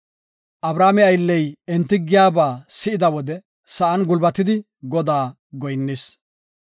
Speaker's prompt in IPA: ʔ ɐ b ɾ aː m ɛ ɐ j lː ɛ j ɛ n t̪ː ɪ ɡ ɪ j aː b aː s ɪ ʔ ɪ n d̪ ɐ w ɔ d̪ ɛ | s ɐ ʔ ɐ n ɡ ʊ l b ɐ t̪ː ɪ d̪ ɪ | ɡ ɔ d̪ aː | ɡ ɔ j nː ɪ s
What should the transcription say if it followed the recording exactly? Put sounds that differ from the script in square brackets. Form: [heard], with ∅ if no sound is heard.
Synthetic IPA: ʔ ɐ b ɾ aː m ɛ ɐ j lː ɛ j ɛ n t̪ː ɪ ɡ ɪ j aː b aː s ɪ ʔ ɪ [∅] d̪ ɐ w ɔ d̪ ɛ | s ɐ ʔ ɐ n ɡ ʊ l b ɐ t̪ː ɪ d̪ ɪ | ɡ ɔ d̪ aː | ɡ ɔ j nː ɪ s

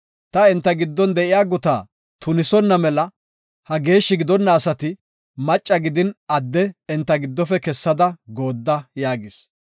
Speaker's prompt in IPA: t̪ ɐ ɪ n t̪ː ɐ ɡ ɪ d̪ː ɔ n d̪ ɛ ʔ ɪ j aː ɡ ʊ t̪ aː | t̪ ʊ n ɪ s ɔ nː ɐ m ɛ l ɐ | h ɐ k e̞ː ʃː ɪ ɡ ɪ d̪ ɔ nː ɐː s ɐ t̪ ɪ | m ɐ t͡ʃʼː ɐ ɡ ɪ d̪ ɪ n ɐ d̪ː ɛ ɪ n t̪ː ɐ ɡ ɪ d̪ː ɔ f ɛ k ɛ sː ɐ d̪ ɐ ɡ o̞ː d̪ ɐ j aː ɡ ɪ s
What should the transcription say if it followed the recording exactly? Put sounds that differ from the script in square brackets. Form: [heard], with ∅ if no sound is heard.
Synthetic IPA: t̪ ɐ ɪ n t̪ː ɐ ɡ ɪ d̪ː ɔ n d̪ ɛ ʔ ɪ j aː ɡ ʊ t̪ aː | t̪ ʊ n ɪ s ɔ nː ɐ m ɛ l ɐ | h ɐ [ɡ] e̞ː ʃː ɪ ɡ ɪ d̪ ɔ nː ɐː s ɐ t̪ ɪ | m ɐ t͡ʃʼː ɐ ɡ ɪ d̪ ɪ n ɐ d̪ː ɛ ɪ n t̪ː ɐ ɡ ɪ d̪ː ɔ f ɛ k ɛ sː ɐ d̪ ɐ ɡ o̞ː [d̪ː] ɐ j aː ɡ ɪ s

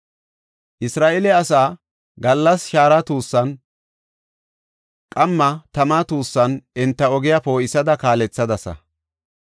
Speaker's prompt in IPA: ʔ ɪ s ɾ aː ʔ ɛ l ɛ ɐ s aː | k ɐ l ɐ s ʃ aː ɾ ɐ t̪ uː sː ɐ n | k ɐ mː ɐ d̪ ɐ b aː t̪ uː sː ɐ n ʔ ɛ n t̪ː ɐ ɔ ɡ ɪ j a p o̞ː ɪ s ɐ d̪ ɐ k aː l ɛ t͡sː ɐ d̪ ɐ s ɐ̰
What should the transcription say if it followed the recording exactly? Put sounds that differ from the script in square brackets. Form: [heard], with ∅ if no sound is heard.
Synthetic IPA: ʔ ɪ s ɾ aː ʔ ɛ l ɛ ɐ s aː | [ɡ] ɐ [lː] ɐ s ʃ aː ɾ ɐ t̪ uː sː ɐ n | [kʼ] ɐ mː ɐ [t̪] ɐ [m] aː t̪ uː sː ɐ n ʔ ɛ n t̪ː ɐ ɔ ɡ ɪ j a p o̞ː ɪ s ɐ d̪ ɐ k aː l ɛ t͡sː ɐ d̪ ɐ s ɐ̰

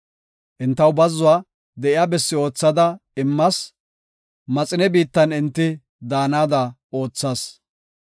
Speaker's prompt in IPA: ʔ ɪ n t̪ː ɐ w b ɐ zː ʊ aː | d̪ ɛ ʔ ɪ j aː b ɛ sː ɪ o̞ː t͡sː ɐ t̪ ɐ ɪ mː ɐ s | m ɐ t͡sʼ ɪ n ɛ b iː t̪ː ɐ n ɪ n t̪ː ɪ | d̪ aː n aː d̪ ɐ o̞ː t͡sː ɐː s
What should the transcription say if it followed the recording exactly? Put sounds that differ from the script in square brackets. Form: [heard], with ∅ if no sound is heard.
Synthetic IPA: ʔ ɪ n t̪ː ɐ w b ɐ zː ʊ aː | d̪ ɛ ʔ ɪ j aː b ɛ sː ɪ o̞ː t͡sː ɐ [d̪] ɐ ɪ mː ɐ s | m ɐ t͡sʼ ɪ n ɛ b iː t̪ː ɐ n ɪ n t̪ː ɪ | d̪ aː n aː d̪ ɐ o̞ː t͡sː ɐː s

